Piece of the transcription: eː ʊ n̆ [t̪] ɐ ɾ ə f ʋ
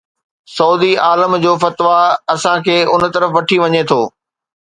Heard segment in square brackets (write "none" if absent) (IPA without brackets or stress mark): t̪